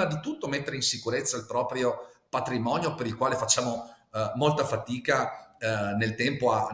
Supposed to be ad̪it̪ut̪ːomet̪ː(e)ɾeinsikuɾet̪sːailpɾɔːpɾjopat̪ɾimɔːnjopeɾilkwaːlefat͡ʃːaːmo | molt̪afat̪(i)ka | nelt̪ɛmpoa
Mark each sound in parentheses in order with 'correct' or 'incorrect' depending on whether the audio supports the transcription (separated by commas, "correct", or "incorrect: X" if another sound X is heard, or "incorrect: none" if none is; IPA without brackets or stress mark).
correct, incorrect: iː